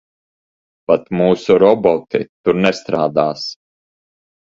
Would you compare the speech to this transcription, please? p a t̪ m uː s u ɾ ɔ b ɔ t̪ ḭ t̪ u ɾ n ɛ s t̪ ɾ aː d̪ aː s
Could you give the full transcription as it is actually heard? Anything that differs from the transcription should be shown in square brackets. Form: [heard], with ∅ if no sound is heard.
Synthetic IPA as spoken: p a t̪ m uː s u ɾ ɔ b ɔ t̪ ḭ t̪ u ɾ n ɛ s t̪ ɾ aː d̪ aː s